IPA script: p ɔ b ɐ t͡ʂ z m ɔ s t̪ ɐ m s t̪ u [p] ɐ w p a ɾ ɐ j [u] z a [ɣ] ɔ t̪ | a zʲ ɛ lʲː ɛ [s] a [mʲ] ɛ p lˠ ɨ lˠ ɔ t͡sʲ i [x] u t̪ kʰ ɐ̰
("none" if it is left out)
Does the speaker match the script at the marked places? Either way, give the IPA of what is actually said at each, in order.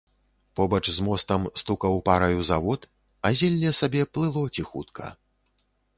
k, u, v, s, bʲ, x

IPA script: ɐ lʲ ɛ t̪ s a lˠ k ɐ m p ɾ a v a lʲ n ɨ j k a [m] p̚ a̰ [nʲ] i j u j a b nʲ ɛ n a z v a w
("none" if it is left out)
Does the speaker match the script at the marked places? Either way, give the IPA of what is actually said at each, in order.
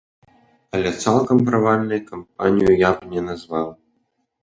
m, nʲ

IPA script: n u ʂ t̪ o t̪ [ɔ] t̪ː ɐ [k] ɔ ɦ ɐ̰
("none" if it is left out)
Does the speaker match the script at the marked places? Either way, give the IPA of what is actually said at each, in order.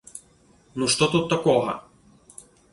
u, k

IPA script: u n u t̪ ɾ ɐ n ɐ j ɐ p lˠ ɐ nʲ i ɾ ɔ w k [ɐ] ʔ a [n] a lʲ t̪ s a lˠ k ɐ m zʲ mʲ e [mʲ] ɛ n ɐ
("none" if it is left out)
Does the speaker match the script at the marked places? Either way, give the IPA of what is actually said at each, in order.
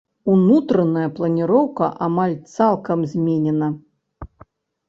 ɐ, m, nʲ

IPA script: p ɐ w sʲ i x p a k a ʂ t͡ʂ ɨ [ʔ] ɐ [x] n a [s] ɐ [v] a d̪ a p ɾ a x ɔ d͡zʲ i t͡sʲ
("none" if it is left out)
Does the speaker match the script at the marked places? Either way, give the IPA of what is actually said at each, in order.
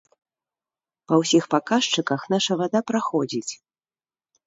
k, x, ʂ, v

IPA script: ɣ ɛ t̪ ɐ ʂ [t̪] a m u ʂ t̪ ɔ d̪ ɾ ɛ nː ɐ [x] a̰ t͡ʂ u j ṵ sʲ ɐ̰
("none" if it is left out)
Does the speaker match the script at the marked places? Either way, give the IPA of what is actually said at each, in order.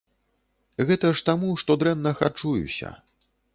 t̪, x

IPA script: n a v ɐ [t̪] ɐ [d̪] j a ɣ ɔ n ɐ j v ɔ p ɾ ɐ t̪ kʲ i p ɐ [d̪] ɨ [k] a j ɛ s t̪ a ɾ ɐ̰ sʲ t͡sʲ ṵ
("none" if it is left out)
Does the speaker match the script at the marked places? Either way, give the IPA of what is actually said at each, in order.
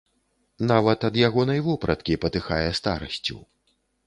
t̪, d̪, t̪, x

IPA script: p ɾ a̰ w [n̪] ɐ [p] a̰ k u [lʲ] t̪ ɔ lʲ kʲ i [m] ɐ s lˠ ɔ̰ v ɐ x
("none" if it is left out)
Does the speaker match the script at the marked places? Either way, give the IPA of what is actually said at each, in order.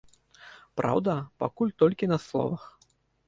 d̪, p, lʲ, n

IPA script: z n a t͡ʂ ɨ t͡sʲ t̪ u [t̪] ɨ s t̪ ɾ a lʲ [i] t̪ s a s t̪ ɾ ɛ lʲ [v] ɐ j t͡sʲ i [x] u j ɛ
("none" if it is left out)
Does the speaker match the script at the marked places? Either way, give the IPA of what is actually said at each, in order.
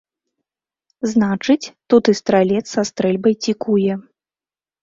t̪, ɛ, b, k

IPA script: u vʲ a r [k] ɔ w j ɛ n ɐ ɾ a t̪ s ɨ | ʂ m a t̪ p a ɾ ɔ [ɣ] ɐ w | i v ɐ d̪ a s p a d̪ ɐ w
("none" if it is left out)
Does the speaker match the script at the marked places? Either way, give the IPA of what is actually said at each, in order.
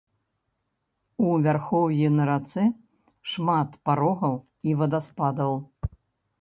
x, ɣ

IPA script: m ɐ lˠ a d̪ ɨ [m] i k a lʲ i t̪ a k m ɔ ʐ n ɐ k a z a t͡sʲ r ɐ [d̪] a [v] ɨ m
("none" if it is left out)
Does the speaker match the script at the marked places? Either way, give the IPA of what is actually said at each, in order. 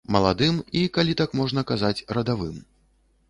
m, d̪, v

